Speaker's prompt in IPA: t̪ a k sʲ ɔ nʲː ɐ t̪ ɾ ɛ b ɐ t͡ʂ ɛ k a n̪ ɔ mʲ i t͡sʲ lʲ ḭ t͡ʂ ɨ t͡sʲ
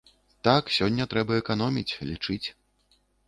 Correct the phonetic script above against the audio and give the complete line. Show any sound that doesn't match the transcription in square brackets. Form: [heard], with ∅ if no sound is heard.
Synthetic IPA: t̪ a k sʲ ɔ nʲː ɐ t̪ ɾ ɛ b ɐ [∅] ɛ k a n̪ ɔ mʲ i t͡sʲ lʲ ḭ t͡ʂ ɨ t͡sʲ

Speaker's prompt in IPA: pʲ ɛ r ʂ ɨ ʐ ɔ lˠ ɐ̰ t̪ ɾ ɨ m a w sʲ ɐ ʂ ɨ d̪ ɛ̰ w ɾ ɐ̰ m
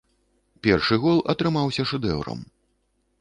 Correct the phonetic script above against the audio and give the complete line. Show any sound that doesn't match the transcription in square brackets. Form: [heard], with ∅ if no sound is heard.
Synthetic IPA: pʲ ɛ r ʂ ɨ [ɣ] ɔ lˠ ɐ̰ t̪ ɾ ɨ m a w sʲ ɐ ʂ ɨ d̪ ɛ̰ w ɾ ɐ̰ m

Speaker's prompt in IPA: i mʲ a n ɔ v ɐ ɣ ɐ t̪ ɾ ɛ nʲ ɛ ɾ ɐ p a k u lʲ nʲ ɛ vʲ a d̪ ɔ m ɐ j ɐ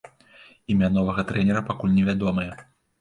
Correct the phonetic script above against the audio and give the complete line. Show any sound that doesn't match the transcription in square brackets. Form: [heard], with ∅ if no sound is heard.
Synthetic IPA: i mʲ a n ɔ v ɐ ɣ ɐ t̪ ɾ ɛ nʲ ɛ ɾ ɐ p a k u lʲ nʲ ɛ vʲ a d̪ ɔ m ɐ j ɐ

